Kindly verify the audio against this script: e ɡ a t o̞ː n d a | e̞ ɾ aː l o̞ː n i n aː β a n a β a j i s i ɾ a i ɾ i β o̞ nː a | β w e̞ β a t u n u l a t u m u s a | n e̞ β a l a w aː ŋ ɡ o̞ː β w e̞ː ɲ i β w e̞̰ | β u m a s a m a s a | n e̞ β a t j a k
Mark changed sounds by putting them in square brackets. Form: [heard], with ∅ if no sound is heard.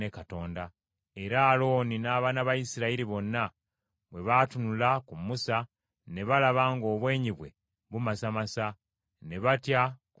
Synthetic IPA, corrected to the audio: e [k] a t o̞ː n d a | e̞ ɾ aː l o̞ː n i n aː β a n a β a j i s i ɾ a i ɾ i β o̞ nː a | β w e̞ β a t u n u l a [k] u m u s a | n e̞ β a l a [β] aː ŋ ɡ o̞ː β w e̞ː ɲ i β w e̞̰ | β u m a s a m a s a | n e̞ β a t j a k

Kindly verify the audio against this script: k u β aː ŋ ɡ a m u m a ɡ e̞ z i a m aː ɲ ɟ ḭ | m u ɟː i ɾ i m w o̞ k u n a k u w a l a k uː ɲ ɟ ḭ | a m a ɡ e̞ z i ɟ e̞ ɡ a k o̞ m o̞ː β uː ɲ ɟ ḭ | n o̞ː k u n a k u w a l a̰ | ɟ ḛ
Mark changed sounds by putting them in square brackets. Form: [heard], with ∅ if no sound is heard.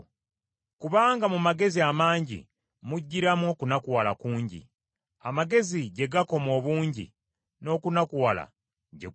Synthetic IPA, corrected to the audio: k u β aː ŋ ɡ a m u m a ɡ e̞ z i a m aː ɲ ɟ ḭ | m u ɟː i ɾ [a] m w o̞ k u n a k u w a l a k uː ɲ ɟ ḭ | a m a ɡ e̞ z i ɟ e̞ ɡ a k o̞ m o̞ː β uː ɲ ɟ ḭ | n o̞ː k u n a k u w a l a̰ | ɟ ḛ

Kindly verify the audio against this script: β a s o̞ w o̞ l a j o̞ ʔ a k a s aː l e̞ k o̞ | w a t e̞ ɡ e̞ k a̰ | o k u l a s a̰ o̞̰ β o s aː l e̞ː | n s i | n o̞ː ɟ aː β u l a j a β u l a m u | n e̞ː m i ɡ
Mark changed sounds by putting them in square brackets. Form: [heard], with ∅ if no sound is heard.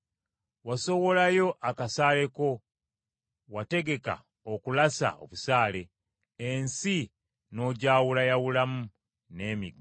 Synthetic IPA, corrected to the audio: [w] a s o̞ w o̞ l a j o̞ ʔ a k a s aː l e̞ k o̞ | w a t e̞ ɡ e̞ k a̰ | o k u l a s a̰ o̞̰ β [u] s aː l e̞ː | n s i | n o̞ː ɟ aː [w] u l a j a [w] u l a m u | n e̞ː m i ɡ

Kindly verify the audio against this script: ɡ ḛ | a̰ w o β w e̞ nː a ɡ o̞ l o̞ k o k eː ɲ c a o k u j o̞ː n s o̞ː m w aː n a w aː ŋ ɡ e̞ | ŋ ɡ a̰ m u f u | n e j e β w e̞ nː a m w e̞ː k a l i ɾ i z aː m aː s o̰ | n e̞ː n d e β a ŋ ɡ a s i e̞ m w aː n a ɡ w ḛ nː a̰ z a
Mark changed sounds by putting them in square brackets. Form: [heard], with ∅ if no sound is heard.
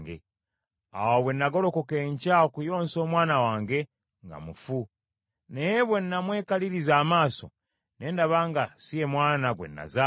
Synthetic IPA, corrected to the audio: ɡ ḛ | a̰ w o β w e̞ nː a ɡ o̞ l o̞ k o k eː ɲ c a o k u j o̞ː n s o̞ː m w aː n a w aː ŋ ɡ e̞ | ŋ ɡ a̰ m u f u | n e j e β w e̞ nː a m w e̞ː k a l i ɾ i z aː m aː s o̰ | n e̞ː n d [a] β a ŋ ɡ a s i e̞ m w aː n a ɡ w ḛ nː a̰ z a

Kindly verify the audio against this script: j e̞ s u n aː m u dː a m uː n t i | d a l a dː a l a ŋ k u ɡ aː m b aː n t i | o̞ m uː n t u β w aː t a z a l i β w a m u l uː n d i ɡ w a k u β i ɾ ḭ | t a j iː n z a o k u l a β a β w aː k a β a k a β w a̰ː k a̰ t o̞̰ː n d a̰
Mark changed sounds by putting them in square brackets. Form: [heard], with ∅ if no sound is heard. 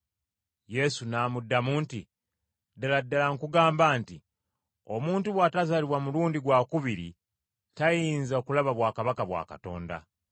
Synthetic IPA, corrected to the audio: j e̞ s u n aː m u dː a m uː n t i | d a l a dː a l a ŋ k u ɡ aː m b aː n t i | o̞ m uː n t u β w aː t a z a l i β w a m u l uː n d i ɡ w a k u β i ɾ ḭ | t a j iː n z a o k u l a β a β w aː k a β a k a β w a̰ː k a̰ t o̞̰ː n d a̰

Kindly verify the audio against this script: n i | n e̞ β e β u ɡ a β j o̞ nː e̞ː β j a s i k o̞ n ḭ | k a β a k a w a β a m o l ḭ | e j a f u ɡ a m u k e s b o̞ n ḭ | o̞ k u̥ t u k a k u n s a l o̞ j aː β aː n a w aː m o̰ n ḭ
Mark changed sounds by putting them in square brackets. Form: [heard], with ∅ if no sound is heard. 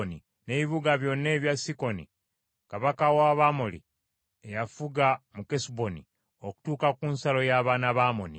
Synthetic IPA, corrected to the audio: n i | n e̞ β [i] β u ɡ a β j o̞ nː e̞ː β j a s i k o̞ n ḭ | k a β a k a w a β a m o l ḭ | e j a f u ɡ a m u k e s b o̞ n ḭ | o̞ k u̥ t [uː] k a k u n s a l o̞ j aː β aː n a [β] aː m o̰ n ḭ

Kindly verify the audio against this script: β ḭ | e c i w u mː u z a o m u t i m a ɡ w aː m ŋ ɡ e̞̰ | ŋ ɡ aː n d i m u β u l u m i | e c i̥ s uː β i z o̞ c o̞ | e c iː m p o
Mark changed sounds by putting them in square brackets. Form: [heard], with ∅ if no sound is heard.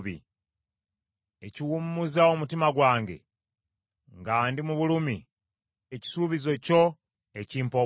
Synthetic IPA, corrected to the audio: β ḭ | e c i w u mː u z a o m u t i m a ɡ w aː [∅] ŋ ɡ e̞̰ | ŋ ɡ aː n d i m u β u l u m i | e c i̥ s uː β i z o̞ c o̞ | e c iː m p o

